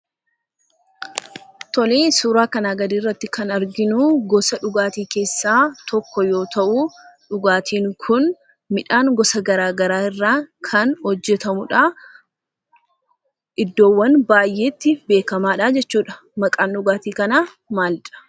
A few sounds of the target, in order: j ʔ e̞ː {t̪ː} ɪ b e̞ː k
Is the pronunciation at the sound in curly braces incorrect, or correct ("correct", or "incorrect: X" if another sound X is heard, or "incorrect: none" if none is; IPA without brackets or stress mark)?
correct